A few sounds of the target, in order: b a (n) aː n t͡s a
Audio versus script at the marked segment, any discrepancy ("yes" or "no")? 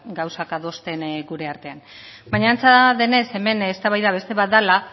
yes